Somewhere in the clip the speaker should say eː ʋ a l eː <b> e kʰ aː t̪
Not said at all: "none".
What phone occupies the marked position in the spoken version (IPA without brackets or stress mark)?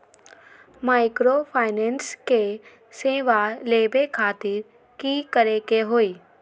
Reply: b